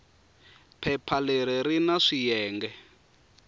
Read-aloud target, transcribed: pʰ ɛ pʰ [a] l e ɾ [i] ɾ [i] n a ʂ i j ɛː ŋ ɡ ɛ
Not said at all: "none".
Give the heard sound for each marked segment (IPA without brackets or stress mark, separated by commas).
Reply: a, i, i